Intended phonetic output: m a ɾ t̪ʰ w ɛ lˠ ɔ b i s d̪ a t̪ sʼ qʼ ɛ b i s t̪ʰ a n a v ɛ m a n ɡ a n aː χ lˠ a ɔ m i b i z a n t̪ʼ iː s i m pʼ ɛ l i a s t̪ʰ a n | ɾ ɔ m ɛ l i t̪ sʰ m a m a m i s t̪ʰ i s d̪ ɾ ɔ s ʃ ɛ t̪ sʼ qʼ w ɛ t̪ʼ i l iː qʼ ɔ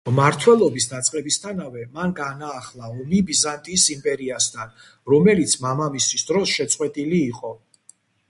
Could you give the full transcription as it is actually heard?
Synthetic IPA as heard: m a ɾ t̪ʰ w ɛ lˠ ɔ b i s d̪ a t̪ sʼ qʼ ɛ b i s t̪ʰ a n a v ɛ m a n ɡ a n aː χ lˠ a ɔ m i b i z a n t̪ʼ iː s i m pʼ ɛ ɾ i a s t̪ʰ a n | ɾ ɔ m ɛ l i t̪ sʰ m a m a m i s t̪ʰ i s d̪ ɾ ɔ s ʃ ɛ t̪ sʼ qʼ w ɛ t̪ʼ i l iː qʼ ɔ